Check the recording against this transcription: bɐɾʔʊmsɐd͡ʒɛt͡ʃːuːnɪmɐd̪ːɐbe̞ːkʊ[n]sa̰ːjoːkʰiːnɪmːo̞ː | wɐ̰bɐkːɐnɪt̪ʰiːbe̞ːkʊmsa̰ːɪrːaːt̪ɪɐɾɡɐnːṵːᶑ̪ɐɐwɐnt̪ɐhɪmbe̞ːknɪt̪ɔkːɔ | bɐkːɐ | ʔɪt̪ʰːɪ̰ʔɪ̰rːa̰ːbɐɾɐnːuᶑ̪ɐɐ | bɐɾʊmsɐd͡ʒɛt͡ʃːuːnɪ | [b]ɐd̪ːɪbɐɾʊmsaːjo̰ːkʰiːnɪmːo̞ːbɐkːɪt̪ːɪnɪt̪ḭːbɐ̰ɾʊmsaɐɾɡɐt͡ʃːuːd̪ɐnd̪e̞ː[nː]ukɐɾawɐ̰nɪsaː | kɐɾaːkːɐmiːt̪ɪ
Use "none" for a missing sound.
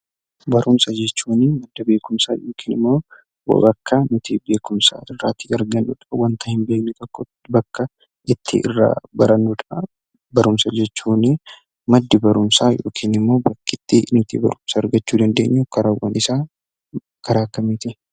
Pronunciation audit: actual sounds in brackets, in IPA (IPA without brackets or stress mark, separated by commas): m, m, ɲː